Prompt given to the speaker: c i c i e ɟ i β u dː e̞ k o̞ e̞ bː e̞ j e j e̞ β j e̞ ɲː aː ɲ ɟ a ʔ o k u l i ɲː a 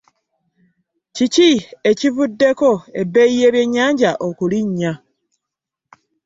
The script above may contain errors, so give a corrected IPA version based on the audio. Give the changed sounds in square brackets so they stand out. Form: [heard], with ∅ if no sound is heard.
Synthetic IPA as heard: c i c i e [c] i [v] u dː e̞ k o̞ e̞ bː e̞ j [i] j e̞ β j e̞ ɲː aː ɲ ɟ a ʔ o k u l i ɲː a